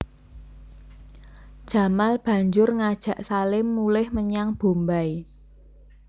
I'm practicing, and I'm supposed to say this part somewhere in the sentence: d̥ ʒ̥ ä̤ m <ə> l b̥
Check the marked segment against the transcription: incorrect: a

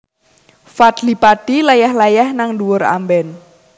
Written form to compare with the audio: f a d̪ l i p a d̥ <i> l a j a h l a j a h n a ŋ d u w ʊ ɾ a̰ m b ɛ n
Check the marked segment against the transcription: correct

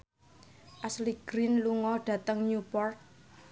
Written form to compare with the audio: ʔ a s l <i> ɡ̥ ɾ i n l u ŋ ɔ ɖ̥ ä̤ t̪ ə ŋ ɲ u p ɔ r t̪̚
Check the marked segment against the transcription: correct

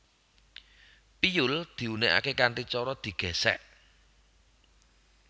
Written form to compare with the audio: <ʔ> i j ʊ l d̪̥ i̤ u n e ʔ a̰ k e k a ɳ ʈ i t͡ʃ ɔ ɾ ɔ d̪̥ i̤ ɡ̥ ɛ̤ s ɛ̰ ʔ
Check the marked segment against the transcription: incorrect: p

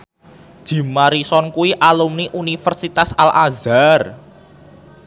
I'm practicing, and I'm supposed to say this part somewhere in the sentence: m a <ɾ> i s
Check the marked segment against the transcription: correct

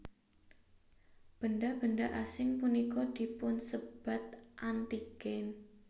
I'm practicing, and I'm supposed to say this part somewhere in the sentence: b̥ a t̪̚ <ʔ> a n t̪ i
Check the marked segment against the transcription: correct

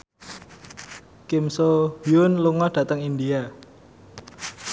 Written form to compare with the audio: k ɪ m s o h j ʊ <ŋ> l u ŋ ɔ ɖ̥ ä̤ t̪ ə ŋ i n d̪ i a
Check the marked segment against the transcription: incorrect: n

